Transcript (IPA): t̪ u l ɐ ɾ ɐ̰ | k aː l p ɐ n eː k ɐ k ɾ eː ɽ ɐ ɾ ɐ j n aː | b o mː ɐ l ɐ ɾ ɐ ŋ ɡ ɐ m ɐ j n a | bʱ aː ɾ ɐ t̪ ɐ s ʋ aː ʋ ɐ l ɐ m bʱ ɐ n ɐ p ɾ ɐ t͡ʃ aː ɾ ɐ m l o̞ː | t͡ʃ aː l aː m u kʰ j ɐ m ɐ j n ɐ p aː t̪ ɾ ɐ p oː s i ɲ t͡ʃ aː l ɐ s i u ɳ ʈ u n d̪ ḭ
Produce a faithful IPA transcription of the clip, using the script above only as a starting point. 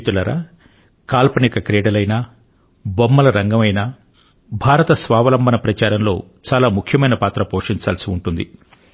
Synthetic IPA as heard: t̪ u l ɐ ɾ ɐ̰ | k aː l p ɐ n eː k ɐ k ɾ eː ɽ ɐ l ɐ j n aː | b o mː ɐ l ɐ ɾ ɐ ŋ ɡ ɐ m ɐ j n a | bʱ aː ɾ ɐ t̪ ɐ s ʋ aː ʋ ɐ l ɐ m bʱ ɐ n ɐ p ɾ ɐ t͡ʃ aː ɾ ɐ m l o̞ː | t͡ʃ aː l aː m u kʰ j ɐ m ɐ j n ɐ p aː t̪ ɾ ɐ p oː ʂ i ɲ t͡ʃ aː l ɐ s i u ɳ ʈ u n d̪ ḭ